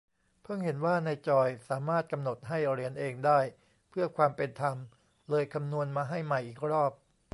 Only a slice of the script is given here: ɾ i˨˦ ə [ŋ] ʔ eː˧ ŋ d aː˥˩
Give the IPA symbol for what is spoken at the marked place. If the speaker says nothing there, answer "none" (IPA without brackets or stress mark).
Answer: n